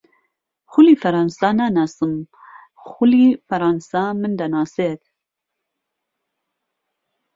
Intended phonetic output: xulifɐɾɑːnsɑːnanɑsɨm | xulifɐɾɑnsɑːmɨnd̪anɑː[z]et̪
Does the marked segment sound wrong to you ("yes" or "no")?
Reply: yes